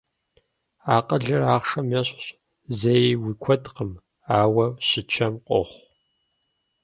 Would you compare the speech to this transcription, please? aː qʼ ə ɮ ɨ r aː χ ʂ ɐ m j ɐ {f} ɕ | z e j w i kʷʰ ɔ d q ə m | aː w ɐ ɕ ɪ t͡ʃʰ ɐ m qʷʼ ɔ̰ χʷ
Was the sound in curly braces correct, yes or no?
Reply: no